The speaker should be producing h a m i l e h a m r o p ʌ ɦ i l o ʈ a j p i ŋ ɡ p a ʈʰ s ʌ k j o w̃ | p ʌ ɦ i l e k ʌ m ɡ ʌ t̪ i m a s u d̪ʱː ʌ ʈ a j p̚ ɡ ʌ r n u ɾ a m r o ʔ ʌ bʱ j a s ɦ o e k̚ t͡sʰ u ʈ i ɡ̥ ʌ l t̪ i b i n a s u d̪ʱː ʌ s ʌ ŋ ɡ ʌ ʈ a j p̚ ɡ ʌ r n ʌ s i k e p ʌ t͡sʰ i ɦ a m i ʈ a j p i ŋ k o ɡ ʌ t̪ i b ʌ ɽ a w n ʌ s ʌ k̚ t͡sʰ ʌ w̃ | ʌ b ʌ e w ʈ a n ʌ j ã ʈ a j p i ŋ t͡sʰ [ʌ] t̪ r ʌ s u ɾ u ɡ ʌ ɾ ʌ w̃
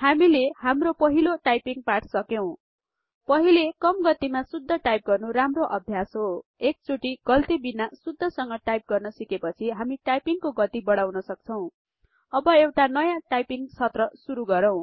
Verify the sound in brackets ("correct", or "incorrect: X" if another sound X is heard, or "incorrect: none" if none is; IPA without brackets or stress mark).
correct